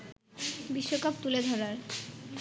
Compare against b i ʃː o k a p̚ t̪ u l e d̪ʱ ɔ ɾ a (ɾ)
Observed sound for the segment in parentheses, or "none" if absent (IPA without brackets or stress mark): ɾ